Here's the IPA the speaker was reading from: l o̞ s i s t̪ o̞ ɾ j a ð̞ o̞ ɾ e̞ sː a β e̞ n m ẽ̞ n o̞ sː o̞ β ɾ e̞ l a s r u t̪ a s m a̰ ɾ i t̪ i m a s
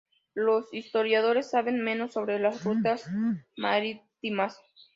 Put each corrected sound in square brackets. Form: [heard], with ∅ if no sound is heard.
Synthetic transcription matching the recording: l o̞ s i s t̪ o̞ ɾ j a ð̞ o̞ ɾ e̞ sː a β e̞ n m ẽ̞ n o̞ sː o̞ β ɾ e̞ l a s r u t̪ a s m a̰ ɾ i t̪ i m a s